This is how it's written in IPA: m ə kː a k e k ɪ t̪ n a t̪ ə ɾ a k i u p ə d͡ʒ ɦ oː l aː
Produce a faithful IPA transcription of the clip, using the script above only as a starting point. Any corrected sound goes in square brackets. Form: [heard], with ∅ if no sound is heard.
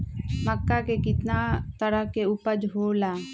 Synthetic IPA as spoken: m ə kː a k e k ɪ t̪ n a t̪ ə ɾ [ə] k [e] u p ə d͡ʒ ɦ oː l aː